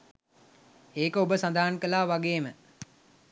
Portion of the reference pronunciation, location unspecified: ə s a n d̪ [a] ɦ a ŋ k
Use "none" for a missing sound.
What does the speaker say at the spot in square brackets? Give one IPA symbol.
a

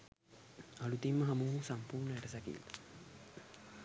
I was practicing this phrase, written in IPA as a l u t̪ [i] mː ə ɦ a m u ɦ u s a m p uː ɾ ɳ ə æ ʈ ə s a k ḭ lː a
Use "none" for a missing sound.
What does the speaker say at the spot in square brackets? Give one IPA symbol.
i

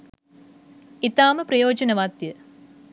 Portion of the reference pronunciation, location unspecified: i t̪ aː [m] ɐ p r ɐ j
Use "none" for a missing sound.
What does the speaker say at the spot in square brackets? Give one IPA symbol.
m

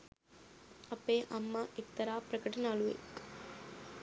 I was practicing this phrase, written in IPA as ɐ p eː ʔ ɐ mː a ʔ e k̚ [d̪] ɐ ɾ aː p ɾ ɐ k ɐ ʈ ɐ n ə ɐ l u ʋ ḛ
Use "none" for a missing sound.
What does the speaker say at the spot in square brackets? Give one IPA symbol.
t̪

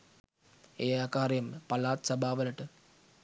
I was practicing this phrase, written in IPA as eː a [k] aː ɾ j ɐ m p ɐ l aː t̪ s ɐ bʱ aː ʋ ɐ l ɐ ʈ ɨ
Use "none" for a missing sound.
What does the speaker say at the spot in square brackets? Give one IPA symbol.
k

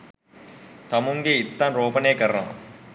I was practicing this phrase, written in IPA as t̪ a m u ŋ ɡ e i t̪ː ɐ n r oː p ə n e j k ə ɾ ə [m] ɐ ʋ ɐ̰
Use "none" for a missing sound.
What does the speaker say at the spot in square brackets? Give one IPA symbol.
n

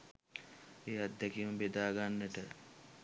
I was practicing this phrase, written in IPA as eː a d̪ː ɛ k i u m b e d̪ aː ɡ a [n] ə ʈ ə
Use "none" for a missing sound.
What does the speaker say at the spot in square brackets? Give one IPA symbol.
nː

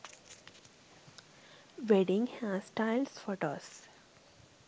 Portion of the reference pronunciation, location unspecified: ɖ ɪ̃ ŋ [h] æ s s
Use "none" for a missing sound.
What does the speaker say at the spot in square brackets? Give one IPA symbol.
h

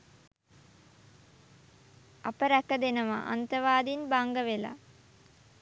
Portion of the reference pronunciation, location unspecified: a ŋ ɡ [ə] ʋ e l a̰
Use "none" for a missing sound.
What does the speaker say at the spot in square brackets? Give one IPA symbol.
ə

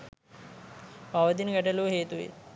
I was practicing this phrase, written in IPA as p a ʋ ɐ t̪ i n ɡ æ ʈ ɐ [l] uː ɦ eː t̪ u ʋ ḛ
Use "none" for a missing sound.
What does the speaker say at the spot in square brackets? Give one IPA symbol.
l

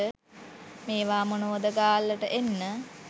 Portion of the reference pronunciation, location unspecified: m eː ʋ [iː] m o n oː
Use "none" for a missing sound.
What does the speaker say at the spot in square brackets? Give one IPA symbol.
aː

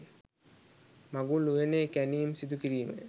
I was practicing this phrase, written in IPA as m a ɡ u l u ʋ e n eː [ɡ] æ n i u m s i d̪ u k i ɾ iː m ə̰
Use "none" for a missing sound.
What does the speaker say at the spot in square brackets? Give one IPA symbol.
k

